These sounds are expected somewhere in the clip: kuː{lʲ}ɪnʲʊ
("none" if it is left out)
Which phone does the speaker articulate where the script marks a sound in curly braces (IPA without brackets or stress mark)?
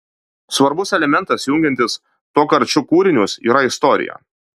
ɾʲ